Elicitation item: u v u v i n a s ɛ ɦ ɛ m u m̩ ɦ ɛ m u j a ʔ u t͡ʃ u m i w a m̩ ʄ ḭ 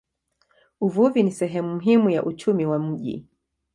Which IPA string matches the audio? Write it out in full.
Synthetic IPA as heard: u v u v i n i s ɛ ɦ ɛ m u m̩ ɦ i m u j a ʔ u t͡ʃ u m i w a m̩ ʄ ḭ